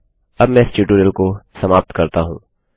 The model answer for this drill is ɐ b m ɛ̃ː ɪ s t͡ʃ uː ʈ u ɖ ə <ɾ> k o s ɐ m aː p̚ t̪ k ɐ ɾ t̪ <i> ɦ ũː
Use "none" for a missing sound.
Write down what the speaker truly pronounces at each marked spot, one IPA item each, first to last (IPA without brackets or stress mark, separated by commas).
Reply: l, a